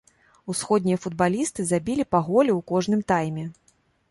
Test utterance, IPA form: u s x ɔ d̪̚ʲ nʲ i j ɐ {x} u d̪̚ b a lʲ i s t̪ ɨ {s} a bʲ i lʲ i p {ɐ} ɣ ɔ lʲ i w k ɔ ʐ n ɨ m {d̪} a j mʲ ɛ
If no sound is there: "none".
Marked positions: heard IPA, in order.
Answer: f, z, a, t̪

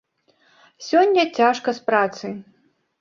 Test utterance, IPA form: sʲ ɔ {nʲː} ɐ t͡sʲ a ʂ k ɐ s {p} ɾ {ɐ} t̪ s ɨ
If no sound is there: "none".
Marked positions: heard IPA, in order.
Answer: nʲː, p, a

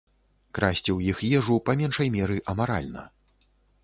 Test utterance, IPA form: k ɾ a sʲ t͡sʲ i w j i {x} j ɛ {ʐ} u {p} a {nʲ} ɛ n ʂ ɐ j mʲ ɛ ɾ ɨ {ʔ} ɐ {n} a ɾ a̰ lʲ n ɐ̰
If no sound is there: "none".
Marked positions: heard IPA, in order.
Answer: x, ʐ, p, mʲ, ʔ, m

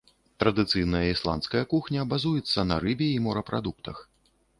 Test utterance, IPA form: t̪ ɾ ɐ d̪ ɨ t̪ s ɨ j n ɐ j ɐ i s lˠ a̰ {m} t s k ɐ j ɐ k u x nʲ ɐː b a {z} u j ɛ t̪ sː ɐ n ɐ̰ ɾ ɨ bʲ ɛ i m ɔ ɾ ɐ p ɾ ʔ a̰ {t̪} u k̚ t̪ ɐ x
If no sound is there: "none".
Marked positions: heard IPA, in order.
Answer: n, z, d̪

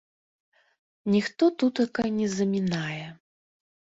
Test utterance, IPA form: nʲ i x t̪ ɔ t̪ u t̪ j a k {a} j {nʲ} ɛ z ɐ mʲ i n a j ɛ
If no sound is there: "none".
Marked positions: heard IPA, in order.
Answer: a, nʲ

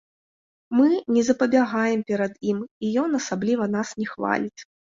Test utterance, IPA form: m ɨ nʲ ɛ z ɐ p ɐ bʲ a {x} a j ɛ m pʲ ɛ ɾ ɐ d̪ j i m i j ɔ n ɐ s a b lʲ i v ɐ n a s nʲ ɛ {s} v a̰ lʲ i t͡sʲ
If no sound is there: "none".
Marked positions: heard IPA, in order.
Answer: ɣ, x

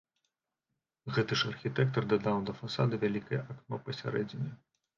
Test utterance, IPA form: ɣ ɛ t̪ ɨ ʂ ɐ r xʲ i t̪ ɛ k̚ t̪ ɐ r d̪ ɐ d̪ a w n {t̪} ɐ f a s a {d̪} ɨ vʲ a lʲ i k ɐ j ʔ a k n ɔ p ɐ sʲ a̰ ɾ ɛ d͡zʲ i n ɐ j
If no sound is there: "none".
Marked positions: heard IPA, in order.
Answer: d̪, d̪

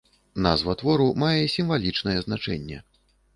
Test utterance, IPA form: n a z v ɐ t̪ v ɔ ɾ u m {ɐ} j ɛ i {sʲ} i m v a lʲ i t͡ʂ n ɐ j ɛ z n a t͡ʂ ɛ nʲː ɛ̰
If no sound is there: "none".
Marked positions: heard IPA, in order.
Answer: a, sʲ

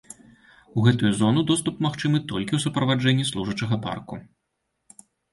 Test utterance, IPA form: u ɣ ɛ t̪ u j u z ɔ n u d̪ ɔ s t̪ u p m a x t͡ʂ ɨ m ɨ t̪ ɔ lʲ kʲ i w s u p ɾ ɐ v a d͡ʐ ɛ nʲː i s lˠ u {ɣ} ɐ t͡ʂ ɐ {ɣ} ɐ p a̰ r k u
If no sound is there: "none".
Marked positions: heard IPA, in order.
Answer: ʐ, ɣ

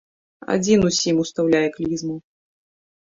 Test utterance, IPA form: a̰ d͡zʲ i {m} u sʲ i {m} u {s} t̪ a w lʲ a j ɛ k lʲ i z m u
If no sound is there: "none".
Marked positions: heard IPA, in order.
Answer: n, m, s

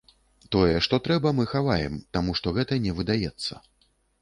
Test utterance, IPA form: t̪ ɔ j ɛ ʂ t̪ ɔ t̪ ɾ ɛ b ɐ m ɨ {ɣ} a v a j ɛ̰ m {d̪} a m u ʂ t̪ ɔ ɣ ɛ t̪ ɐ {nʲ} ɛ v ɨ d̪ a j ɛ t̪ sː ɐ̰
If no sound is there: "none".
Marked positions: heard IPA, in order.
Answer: x, t̪, nʲ

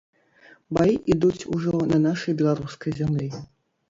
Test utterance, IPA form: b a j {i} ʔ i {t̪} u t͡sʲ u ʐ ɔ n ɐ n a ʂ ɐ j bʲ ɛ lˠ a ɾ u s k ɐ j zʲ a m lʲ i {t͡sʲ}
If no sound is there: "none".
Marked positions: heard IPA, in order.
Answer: i, d̪, none

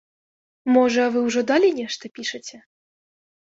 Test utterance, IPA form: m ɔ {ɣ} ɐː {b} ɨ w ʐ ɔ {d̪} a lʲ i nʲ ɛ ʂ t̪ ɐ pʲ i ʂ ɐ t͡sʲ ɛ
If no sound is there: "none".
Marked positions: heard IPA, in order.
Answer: ʐ, v, d̪

